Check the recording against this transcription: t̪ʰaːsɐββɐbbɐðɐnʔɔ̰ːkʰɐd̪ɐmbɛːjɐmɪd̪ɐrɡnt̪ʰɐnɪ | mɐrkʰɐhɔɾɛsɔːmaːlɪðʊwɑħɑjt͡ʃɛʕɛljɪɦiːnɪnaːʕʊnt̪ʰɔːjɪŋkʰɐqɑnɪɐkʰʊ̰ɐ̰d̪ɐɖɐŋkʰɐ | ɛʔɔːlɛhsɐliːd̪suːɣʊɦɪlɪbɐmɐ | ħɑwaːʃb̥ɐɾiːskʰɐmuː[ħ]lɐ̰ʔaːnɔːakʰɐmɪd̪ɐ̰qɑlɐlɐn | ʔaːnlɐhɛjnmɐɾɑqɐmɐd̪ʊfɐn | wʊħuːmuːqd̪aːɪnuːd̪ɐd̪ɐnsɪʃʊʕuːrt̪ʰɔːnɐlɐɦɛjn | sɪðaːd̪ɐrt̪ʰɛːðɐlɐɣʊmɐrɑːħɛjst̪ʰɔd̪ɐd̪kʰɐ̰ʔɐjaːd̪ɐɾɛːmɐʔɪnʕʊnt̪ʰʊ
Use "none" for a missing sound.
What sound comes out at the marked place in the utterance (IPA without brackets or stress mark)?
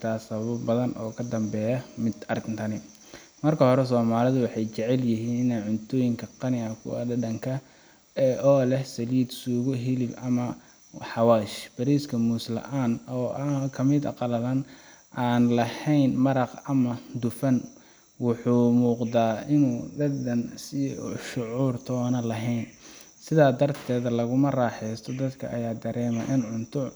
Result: s